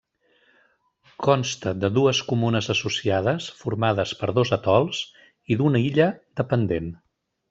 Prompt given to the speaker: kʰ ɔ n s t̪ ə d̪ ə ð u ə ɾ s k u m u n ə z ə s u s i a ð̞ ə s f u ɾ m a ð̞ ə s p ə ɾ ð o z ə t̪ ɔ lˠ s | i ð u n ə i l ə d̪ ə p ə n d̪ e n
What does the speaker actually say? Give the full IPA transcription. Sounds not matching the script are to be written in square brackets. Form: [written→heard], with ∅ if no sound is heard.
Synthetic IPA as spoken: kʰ ɔ n s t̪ ə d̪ ə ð u ə [ɾ→∅] s k u m u n ə z ə s u s i a ð̞ ə s f u ɾ m a ð̞ ə s p ə ɾ ð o z ə t̪ ɔ lˠ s | i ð u n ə i [l→ʎ] ə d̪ ə p ə n d̪ e n

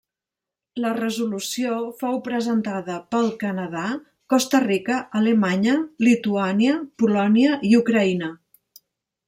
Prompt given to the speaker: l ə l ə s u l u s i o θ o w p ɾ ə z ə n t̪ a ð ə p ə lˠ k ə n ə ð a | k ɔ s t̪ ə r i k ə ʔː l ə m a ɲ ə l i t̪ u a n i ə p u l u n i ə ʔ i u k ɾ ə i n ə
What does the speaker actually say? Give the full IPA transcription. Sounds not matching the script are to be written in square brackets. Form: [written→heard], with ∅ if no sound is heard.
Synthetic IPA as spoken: l ə [l→r] ə [s→z] u l u s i o [θ→f] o w p ɾ ə z ə n t̪ a ð ə p ə lˠ k ə n ə ð a | k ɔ s t̪ ə r i k ə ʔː l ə m a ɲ ə l i t̪ u a n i ə p u l [u→ɔ] n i ə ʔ i u k ɾ ə i n ə

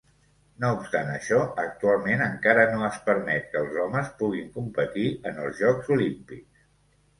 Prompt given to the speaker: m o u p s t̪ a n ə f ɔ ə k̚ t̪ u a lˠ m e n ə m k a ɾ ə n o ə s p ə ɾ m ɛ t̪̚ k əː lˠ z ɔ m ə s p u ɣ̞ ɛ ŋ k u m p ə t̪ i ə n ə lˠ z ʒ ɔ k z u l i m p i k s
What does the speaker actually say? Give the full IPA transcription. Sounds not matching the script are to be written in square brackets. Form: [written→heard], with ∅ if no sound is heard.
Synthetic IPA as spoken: [m→n] o u p s t̪ a n ə [f→ʃ] ɔ ə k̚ t̪ u a lˠ m e n ə [m→ŋ] k a ɾ ə n o ə s p ə ɾ m ɛ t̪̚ k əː lˠ z ɔ m ə s p u ɣ̞ [ɛ→i] ŋ k u m p ə t̪ i ə n ə lˠ z ʒ ɔ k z u l i m p i k s

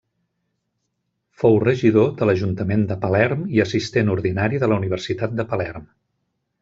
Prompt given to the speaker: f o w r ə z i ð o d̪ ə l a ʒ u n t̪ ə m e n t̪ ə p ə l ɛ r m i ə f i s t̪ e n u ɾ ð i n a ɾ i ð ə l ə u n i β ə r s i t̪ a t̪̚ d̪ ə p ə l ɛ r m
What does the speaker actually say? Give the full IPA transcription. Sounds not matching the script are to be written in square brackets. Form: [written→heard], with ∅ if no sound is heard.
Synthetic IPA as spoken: f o w r ə [z→ʒ] i ð o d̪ ə l [a→ə] ʒ u n t̪ ə m e n [t̪→d̪] ə p ə l ɛ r m i ə [f→s] i s t̪ e n u ɾ ð i n a ɾ i ð ə l ə u n i β ə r s i t̪ a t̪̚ d̪ ə p ə l ɛ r m

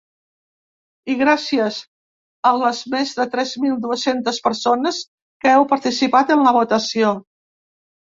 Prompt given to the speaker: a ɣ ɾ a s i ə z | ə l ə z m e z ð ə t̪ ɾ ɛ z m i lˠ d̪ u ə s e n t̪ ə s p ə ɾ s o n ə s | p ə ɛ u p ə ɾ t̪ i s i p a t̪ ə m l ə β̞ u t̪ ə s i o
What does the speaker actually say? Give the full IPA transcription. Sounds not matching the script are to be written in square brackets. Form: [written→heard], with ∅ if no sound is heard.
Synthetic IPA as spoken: [a→i] ɣ ɾ a s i ə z | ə l ə z m e z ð ə t̪ ɾ ɛ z m i lˠ d̪ u ə s e n t̪ ə s p ə ɾ s o n ə s | [p→k] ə ɛ [u→w] p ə ɾ t̪ i s i p a t̪ ə [m→n] l ə β̞ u t̪ ə s i o

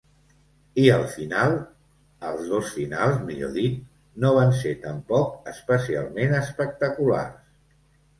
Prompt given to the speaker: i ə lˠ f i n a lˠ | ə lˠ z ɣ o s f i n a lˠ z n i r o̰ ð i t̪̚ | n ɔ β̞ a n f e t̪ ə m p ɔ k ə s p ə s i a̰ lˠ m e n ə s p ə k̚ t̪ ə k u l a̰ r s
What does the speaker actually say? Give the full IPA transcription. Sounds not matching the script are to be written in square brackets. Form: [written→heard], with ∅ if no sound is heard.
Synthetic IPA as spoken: i ə lˠ f i n a lˠ | ə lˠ z [ɣ→ð] o s f i n a lˠ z [n→m] i [r→ʎ] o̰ ð i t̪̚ | n [ɔ→o] β̞ a n [f→s] e t̪ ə m p ɔ k ə s p ə s i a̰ lˠ m e n ə s p ə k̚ t̪ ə k u l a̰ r s

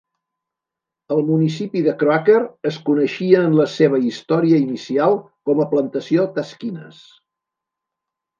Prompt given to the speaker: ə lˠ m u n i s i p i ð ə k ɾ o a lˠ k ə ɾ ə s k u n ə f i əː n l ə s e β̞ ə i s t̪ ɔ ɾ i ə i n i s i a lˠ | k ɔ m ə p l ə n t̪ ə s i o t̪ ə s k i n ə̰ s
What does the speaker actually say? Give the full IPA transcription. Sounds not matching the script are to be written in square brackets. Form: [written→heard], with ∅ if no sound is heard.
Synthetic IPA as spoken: ə lˠ m u n i s i p i ð ə k ɾ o a [lˠ→∅] k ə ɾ ə s k u n ə [f→ʃ] i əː n l ə s e β̞ ə i s t̪ ɔ ɾ i ə i n i s i a lˠ | k ɔ m ə p l ə n t̪ ə s i o t̪ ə s k i n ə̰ s

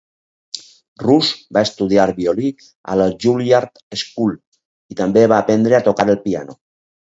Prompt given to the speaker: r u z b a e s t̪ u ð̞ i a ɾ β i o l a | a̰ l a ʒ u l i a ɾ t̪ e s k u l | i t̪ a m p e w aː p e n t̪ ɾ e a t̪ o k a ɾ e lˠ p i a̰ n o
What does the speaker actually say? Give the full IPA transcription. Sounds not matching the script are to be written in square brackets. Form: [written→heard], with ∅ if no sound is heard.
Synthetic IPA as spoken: r u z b a e s t̪ u ð̞ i a ɾ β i o l [a→i] | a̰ l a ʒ u l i a ɾ t̪ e s k u l | i t̪ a m [p→b] e [w→β] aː p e n [t̪→d̪] ɾ e a t̪ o k a ɾ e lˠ p i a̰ n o

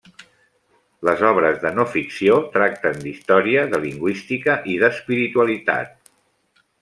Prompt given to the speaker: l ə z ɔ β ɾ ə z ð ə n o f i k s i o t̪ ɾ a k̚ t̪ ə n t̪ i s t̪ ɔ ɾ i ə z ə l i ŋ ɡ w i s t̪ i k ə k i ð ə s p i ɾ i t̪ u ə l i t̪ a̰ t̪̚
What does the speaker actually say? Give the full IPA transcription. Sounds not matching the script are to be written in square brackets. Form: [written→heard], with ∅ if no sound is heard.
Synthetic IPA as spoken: l ə z ɔ β ɾ ə z ð ə n o f i k s i o t̪ ɾ a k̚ t̪ ə n [t̪→d̪] i s t̪ ɔ ɾ i ə [z→ð] ə l i ŋ ɡ w i s t̪ i k ə [k→ʔ] i ð ə s p i ɾ i t̪ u ə l i t̪ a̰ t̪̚

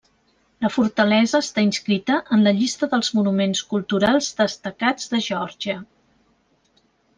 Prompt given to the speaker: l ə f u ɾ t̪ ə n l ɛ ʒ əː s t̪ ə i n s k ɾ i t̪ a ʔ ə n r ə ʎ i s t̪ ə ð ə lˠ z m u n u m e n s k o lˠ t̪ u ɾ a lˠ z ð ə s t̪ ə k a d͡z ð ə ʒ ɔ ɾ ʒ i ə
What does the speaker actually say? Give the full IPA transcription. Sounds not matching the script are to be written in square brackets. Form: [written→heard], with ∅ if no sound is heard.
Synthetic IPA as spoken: l ə f u ɾ t̪ ə [n→∅] l ɛ [ʒ→z] əː s t̪ [ə→a] i n s k ɾ i t̪ [a→ə] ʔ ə n [r→l] ə ʎ i s t̪ ə ð ə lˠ z m u n u m e n s k [o→u] lˠ t̪ u ɾ a lˠ z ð ə s t̪ ə k a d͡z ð ə ʒ ɔ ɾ ʒ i ə

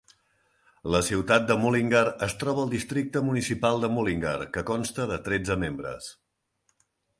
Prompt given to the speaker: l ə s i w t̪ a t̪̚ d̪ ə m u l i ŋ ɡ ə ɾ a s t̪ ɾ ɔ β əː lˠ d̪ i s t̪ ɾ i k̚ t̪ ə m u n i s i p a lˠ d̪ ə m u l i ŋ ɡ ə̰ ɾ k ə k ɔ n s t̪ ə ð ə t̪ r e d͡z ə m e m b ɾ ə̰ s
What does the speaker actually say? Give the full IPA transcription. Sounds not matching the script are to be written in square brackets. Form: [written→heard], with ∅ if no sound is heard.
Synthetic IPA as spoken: l ə s i w t̪ a t̪̚ d̪ ə m u l i ŋ ɡ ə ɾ [a→ə] s t̪ ɾ ɔ β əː lˠ d̪ i s t̪ ɾ i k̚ t̪ ə m u n i s i p a lˠ d̪ ə m u l i ŋ ɡ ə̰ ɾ k ə k ɔ n s t̪ ə ð ə t̪ [r→ɾ] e d͡z ə m e m b ɾ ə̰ s

